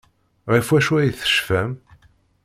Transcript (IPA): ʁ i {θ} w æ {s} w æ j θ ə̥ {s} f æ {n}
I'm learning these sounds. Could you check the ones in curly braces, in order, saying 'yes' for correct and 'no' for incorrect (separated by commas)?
no, no, no, no